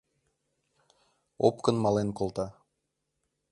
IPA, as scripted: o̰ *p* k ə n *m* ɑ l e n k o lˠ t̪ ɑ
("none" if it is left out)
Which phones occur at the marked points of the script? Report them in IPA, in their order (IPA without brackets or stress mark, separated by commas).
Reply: p, m